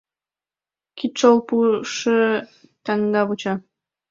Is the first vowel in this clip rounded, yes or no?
no